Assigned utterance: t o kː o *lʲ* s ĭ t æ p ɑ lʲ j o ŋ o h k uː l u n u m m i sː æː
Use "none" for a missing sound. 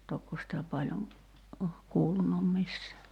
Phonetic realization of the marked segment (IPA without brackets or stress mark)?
none